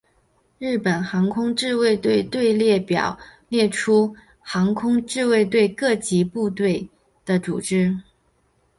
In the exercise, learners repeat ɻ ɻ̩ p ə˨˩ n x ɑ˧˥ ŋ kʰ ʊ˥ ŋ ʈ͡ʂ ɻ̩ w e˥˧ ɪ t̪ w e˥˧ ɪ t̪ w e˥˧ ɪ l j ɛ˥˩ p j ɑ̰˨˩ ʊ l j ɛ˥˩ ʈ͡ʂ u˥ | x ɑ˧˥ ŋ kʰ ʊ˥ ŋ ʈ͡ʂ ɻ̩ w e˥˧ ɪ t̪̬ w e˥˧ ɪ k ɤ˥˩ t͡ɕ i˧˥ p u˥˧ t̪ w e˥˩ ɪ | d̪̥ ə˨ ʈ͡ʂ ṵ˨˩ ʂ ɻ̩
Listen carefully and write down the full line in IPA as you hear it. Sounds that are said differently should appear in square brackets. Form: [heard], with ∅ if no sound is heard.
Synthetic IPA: ɻ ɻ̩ p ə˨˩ n x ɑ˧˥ ŋ kʰ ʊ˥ ŋ ʈ͡ʂ ɻ̩ w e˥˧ ɪ t̪ w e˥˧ ɪ t̪ w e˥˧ ɪ l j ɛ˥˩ p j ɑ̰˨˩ ʊ l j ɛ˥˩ [ʈ͡ʂʰ] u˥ | x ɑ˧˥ ŋ kʰ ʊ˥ ŋ ʈ͡ʂ ɻ̩ w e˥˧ ɪ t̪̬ w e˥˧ ɪ k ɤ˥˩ t͡ɕ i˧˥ p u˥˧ t̪ w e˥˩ ɪ | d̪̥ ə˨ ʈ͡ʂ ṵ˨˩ [ʈ͡ʂ] ɻ̩